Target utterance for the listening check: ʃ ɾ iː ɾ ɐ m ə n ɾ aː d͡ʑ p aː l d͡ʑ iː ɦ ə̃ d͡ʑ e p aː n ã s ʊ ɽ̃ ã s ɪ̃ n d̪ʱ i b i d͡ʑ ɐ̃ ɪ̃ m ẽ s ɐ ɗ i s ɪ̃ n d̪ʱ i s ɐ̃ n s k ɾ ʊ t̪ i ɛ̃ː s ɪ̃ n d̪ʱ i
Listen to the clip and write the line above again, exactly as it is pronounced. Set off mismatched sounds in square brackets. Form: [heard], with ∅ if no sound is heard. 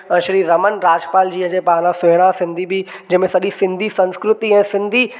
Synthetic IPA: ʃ ɾ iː ɾ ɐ m ə n ɾ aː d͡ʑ p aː l d͡ʑ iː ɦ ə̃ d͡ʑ e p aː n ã s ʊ ɽ̃ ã s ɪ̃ n d̪ʱ i b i d͡ʑ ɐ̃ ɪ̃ m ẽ s ɐ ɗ i s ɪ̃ n d̪ʱ i s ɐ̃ n s k ɾ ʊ t̪ i ɛ̃ː s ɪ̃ n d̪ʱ i